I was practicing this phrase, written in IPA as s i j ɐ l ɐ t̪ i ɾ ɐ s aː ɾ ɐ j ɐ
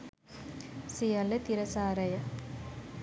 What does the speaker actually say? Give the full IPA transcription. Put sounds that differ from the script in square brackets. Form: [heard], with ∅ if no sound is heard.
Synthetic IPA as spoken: s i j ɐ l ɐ t̪ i ɾ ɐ s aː ɾ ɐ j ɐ